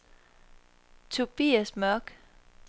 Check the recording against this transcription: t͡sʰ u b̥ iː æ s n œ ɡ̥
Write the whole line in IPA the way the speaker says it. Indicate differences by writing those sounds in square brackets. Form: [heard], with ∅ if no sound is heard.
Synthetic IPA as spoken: t͡sʰ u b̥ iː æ s [m] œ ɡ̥